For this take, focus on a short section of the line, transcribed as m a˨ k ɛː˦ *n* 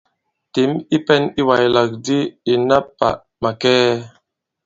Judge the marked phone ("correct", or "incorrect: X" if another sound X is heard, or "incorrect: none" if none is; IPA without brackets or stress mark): incorrect: none